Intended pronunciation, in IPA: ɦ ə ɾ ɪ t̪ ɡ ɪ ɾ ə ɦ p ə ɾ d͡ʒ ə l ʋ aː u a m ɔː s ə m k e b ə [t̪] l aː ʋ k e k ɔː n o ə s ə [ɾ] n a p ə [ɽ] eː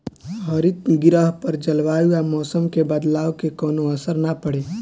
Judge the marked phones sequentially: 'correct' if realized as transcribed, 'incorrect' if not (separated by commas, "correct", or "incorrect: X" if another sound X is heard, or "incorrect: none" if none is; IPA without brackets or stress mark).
incorrect: d̪, correct, correct